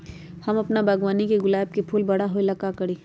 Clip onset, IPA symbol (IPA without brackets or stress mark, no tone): h